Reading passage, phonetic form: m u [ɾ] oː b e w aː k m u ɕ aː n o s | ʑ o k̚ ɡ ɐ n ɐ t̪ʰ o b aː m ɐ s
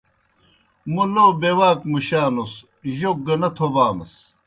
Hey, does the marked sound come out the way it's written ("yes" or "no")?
no